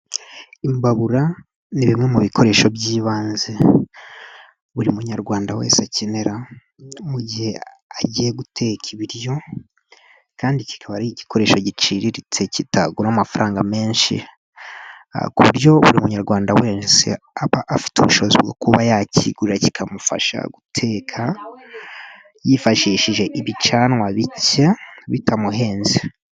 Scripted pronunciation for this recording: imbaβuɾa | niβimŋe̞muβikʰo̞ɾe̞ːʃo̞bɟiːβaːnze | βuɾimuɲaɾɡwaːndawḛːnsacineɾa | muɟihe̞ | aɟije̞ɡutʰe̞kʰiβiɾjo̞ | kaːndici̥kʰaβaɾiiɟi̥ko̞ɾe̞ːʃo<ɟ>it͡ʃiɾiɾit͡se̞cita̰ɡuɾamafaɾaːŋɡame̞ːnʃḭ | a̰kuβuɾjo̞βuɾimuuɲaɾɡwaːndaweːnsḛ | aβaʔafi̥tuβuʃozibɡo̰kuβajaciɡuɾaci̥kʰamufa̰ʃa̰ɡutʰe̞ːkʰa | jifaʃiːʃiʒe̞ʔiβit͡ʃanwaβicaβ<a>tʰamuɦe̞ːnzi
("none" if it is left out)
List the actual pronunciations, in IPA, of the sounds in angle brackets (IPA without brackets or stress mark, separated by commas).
ɟ, i